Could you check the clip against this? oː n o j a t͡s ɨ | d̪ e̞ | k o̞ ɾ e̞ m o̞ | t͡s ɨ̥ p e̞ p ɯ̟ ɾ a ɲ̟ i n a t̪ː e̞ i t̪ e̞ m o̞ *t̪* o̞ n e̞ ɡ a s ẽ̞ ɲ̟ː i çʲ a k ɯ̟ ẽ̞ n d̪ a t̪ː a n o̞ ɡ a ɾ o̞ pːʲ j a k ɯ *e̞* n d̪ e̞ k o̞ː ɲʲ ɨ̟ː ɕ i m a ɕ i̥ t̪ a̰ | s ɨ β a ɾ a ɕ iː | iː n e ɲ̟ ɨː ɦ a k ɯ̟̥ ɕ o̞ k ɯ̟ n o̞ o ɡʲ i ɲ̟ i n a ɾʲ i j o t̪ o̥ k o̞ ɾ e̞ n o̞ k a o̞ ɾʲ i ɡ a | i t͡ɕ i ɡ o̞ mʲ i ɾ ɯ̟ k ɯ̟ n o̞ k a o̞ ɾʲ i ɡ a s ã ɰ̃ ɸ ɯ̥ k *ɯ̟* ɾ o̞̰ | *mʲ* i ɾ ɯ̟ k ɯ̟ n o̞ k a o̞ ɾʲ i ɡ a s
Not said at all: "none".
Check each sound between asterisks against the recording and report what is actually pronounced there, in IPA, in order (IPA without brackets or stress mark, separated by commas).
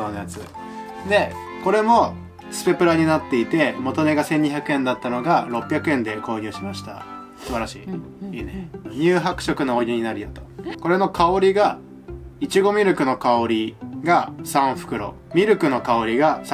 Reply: t̪, ẽ̞, ɯ̟, mʲ